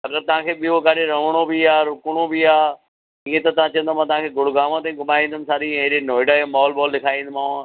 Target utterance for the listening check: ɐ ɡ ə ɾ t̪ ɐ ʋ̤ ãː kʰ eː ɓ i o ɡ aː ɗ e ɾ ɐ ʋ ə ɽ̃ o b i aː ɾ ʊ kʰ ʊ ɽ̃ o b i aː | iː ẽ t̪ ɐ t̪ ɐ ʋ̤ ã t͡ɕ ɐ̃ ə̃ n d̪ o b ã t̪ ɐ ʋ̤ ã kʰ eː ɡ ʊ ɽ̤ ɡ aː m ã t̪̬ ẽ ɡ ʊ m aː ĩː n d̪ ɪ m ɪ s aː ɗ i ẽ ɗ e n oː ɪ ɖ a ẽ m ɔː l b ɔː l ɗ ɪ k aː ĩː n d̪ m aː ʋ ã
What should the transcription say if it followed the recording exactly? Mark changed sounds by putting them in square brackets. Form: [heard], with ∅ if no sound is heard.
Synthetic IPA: ɐ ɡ ə ɾ t̪ ɐ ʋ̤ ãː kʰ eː ɓ i o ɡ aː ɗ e ɾ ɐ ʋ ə ɽ̃ o b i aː ɾ ʊ [k] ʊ ɽ̃ o b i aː | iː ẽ t̪ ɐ t̪ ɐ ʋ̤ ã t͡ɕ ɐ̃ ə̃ n d̪ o [m] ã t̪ ɐ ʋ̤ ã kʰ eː ɡ ʊ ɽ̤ ɡ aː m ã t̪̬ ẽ ɡ ʊ m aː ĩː n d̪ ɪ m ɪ s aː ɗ i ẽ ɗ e n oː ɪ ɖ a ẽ m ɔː l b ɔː l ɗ ɪ [kʰ] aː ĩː n d̪ m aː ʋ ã